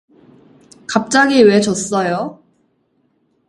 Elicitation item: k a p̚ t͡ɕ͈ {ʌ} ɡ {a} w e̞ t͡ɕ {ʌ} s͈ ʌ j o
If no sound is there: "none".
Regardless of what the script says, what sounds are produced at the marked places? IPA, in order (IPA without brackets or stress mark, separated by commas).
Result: a, i, ʌ